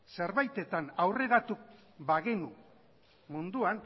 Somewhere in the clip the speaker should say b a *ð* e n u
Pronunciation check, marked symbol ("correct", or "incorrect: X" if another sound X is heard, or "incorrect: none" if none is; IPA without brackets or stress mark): incorrect: ɣ